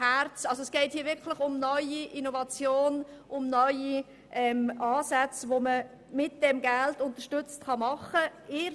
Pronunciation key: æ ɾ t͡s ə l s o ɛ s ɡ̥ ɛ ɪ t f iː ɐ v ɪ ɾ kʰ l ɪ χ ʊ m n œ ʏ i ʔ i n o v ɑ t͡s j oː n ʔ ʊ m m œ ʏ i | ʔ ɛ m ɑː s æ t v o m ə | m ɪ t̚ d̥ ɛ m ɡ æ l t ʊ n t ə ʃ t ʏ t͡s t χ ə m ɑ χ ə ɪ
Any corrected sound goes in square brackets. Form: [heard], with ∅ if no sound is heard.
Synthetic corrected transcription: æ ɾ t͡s [ɑ] l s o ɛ s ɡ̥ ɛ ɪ t [h] iː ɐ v ɪ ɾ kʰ l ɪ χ ʊ m n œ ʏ i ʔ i n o v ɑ t͡s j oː n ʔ ʊ m [n] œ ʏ i | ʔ ɛ m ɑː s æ [t͡s] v o m ə | m ɪ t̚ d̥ ɛ m ɡ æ l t ʊ n t ə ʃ t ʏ t͡s t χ [ɑ] m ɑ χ ə ɪ